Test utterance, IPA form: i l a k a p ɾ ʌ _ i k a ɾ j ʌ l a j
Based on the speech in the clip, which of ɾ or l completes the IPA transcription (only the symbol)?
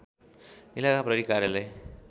ɾ